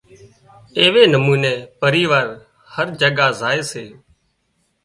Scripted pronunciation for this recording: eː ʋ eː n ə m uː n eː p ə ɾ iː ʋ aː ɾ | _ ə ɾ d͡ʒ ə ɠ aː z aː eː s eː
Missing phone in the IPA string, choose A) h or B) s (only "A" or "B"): A